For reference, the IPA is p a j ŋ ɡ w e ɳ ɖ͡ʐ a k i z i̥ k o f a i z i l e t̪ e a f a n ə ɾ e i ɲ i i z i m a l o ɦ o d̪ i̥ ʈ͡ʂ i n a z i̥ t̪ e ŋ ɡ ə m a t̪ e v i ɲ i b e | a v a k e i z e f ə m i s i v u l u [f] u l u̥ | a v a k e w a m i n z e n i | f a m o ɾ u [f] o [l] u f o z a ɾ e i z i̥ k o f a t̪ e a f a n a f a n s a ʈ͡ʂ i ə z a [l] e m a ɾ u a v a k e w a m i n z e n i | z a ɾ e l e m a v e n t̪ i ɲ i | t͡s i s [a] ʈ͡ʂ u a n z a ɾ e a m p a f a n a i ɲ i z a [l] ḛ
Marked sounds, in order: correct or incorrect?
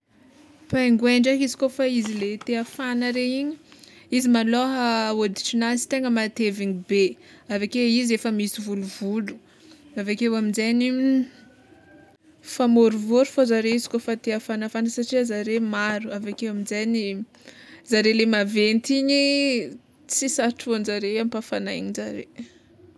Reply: incorrect: v, incorrect: v, incorrect: ɾ, incorrect: ɾ, correct, incorrect: ɾ

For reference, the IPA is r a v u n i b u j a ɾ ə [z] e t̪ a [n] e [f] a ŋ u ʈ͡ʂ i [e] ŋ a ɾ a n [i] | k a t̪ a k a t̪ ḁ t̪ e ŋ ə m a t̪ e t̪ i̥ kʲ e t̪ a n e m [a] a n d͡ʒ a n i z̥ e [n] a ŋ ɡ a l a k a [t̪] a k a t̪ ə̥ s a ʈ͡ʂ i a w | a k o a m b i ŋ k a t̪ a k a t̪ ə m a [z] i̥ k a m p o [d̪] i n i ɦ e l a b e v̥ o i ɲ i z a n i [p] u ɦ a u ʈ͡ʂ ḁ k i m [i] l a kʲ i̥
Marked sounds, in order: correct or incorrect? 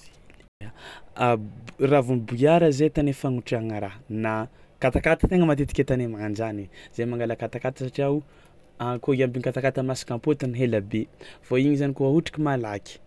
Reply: correct, correct, correct, incorrect: a, incorrect: a, correct, incorrect: m, correct, incorrect: s, incorrect: t̪, incorrect: k, incorrect: a

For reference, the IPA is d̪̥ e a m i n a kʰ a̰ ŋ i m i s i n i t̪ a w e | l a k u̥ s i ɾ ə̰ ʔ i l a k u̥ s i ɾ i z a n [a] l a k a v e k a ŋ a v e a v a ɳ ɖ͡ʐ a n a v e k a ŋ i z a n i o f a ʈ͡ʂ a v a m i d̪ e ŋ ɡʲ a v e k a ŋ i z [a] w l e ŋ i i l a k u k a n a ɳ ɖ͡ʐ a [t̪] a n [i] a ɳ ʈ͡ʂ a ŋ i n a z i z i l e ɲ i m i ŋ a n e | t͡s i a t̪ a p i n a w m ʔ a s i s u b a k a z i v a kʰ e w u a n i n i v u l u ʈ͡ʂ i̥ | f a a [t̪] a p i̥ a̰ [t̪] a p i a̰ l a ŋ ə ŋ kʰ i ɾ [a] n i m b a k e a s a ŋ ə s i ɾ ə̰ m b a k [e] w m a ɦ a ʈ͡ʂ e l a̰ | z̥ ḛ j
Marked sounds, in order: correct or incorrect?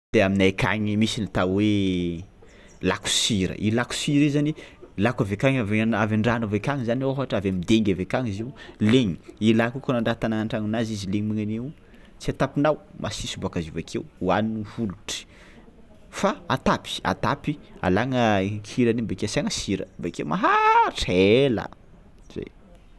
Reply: incorrect: i, incorrect: i, correct, incorrect: a, correct, correct, correct, correct

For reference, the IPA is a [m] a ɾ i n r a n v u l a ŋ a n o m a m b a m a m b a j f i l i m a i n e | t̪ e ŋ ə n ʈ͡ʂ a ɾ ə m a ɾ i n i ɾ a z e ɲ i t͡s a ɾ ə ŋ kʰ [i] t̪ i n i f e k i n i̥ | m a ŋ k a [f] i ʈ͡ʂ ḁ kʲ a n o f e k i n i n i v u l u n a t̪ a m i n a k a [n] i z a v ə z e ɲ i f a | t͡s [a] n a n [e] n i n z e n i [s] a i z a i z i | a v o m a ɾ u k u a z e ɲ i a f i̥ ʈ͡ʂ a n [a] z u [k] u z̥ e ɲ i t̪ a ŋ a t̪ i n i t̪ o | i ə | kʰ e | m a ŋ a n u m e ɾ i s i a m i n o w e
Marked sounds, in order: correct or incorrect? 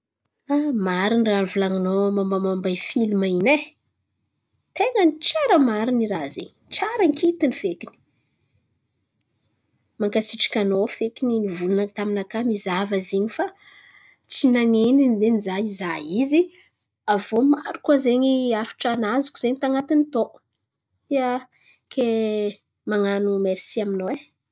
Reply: correct, correct, incorrect: s, incorrect: m, incorrect: i, correct, incorrect: z, correct, correct

